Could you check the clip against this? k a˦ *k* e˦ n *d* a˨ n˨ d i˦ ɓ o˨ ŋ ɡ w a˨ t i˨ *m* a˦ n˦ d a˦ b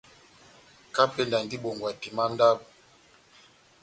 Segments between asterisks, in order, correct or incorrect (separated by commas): incorrect, correct, correct